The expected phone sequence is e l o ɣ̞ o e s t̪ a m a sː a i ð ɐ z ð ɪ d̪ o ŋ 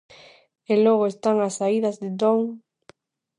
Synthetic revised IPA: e l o ɣ̞ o e s t̪ a ŋ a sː a i ð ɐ z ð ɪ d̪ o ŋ